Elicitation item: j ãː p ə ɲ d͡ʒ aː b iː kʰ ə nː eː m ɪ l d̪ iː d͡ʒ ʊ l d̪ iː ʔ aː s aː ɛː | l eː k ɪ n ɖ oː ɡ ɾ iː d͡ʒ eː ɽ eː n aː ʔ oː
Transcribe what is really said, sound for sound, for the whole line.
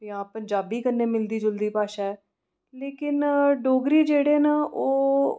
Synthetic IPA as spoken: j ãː p ə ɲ d͡ʒ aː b iː k ə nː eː m ɪ l d̪ iː d͡ʒ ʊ l d̪ iː p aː ʃ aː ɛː | l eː k ɪ n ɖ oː ɡ ɾ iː d͡ʒ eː ɽ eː n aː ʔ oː